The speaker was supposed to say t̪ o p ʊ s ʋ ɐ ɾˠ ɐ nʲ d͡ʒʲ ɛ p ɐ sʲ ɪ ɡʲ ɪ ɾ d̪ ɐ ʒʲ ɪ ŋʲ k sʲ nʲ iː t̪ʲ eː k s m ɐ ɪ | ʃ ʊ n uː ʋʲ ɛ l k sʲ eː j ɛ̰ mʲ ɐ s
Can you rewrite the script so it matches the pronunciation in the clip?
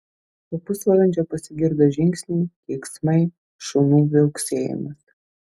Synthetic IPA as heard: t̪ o p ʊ s ʋ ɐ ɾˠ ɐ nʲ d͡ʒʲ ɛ p ɐ sʲ ɪ ɡʲ ɪ ɾ d̪ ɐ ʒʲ ɪ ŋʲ k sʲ nʲ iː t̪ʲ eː k s m ɐ ɪ | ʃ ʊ n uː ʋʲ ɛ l k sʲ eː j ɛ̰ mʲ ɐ s